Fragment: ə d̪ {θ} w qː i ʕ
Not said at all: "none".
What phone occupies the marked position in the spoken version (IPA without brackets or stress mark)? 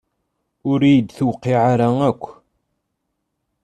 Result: θ